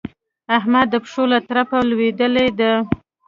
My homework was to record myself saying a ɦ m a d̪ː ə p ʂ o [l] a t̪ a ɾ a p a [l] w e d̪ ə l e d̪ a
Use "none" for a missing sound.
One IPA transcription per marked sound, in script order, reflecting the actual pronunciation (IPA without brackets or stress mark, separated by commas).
l, l